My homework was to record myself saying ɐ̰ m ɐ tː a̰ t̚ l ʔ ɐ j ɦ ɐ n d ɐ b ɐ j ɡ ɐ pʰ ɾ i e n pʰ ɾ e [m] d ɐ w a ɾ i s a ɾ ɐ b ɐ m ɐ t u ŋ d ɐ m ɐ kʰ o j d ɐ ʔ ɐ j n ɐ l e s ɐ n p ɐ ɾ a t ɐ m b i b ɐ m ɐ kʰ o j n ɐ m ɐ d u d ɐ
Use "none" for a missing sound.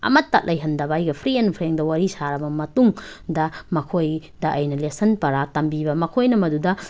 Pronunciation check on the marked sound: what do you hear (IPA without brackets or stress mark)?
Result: ŋ